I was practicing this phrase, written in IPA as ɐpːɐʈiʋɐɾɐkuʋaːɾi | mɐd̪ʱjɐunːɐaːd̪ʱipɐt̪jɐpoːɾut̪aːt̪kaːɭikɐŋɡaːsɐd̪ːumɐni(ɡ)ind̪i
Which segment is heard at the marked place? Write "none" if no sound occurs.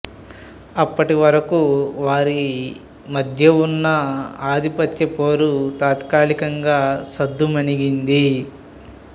ɡ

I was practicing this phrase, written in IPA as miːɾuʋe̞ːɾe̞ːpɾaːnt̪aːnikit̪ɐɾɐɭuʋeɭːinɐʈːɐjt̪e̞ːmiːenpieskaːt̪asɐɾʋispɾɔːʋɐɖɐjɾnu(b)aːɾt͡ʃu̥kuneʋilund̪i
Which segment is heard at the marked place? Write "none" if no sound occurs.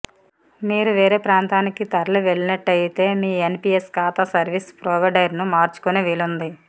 m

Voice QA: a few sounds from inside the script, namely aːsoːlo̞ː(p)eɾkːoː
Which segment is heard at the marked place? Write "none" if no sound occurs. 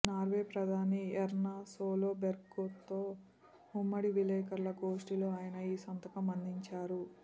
b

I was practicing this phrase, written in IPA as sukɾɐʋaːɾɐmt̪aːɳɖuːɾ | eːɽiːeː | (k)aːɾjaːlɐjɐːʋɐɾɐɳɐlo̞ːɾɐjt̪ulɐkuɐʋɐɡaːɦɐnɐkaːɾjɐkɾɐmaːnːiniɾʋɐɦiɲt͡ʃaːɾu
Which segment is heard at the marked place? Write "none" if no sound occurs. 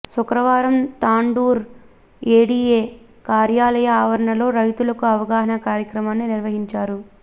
k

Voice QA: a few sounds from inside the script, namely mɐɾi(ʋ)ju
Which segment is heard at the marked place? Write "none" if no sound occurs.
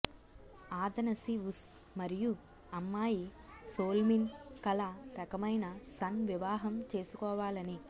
none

